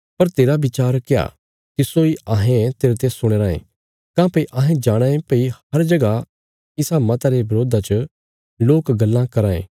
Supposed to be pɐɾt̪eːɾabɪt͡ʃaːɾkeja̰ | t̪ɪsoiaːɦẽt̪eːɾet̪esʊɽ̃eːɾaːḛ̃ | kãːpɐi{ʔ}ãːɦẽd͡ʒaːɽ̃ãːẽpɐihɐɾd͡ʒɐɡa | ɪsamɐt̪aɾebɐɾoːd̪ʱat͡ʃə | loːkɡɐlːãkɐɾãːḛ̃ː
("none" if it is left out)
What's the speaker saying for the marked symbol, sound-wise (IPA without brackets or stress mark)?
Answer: ʔ